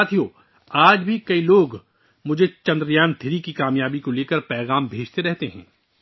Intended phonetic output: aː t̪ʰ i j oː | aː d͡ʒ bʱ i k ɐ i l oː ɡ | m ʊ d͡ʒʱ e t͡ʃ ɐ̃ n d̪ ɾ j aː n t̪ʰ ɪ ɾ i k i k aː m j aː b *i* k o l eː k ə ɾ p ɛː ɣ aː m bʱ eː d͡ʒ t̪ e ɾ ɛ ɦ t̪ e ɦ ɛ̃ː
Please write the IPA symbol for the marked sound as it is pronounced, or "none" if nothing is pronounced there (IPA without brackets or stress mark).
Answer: i